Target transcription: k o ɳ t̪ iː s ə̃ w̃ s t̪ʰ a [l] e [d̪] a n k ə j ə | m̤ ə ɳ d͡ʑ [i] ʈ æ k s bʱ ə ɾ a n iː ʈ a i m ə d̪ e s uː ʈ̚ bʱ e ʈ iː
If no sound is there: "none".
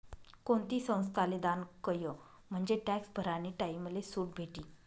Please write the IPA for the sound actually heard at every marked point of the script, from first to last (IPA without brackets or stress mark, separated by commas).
l, d̪, e